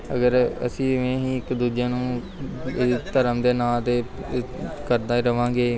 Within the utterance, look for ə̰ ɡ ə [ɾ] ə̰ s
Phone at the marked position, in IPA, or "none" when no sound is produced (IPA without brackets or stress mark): ɾ